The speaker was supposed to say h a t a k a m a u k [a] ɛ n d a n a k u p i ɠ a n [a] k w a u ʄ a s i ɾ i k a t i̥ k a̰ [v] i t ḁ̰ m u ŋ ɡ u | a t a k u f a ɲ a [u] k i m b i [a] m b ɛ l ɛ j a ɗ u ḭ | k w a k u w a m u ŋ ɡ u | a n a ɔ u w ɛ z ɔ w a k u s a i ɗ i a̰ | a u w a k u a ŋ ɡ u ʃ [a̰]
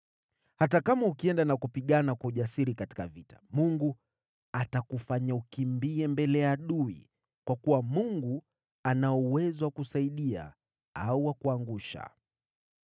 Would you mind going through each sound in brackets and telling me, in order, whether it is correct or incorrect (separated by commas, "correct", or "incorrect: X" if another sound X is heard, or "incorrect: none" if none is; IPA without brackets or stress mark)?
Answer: incorrect: i, correct, correct, correct, incorrect: ɛ, correct